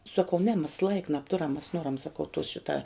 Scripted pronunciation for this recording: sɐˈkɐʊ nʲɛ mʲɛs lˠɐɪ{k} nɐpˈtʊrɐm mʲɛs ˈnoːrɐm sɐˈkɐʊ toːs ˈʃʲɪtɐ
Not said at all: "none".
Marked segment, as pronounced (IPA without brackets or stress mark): k